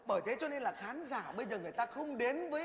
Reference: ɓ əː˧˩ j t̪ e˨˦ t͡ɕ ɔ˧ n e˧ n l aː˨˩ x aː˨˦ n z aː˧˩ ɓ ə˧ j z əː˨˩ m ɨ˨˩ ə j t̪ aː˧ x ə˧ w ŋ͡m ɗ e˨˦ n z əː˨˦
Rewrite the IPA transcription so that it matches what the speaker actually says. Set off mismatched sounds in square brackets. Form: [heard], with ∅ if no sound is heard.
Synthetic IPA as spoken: ɓ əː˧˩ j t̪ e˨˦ t͡ɕ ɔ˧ n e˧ n l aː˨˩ x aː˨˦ n z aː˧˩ ɓ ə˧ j z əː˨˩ [ŋ] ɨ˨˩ ə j t̪ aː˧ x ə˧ w ŋ͡m ɗ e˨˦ n [v] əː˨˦